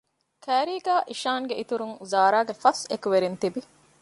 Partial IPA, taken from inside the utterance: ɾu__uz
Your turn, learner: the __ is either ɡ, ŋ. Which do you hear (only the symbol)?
ŋ